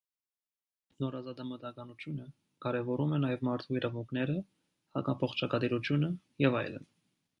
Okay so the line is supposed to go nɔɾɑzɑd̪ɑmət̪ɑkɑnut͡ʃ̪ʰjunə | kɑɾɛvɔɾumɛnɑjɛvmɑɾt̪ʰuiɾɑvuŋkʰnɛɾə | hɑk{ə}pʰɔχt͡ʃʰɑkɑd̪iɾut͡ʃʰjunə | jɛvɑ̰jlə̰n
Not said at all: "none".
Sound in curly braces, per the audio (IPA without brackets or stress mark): ɑ